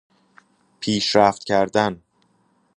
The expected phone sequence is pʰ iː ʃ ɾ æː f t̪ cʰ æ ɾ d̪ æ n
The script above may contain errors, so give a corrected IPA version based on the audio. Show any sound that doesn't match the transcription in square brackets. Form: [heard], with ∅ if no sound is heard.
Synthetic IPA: pʰ iː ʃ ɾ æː f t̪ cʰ æ ɾ d̪ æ n